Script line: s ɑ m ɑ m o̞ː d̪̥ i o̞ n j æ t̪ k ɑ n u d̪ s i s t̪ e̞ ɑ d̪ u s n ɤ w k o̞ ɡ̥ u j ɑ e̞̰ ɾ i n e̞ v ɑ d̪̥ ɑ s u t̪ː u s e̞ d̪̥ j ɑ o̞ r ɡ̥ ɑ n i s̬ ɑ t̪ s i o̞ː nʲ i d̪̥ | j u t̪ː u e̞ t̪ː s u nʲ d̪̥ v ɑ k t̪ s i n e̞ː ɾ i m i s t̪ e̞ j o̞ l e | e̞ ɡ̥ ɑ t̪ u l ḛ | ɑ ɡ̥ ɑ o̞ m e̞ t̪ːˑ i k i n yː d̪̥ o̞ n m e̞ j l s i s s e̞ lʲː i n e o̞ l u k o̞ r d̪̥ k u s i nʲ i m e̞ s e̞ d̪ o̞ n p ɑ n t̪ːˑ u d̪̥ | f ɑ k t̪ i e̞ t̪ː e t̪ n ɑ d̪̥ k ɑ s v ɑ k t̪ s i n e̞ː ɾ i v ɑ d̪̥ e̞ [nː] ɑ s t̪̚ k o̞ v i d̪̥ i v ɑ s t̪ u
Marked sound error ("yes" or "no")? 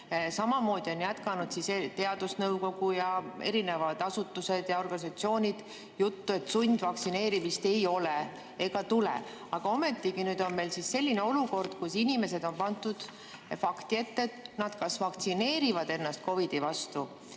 no